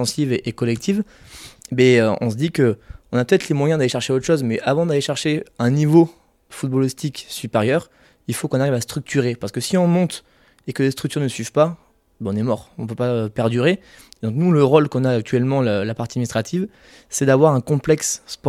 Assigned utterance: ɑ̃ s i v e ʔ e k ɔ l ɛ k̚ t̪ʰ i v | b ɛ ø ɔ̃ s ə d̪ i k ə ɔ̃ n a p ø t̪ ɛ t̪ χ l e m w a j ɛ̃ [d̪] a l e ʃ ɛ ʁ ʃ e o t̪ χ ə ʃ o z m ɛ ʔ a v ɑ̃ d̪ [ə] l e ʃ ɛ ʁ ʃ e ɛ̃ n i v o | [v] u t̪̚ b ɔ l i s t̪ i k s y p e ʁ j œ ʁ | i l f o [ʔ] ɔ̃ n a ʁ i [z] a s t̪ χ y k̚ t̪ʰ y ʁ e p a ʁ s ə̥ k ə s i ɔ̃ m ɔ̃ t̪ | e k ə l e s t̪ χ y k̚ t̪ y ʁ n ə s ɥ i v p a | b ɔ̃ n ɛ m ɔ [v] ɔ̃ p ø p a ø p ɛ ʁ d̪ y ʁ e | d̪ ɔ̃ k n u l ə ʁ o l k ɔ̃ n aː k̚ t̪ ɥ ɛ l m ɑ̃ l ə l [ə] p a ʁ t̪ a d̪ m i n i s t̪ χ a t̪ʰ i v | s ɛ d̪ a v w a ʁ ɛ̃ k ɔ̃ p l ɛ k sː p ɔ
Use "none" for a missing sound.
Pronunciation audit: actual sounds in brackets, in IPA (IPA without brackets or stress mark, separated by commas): d̪, a, f, k, v, ʁ, a